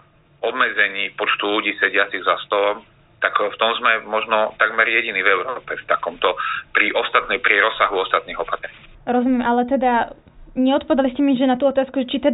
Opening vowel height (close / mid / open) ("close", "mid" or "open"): mid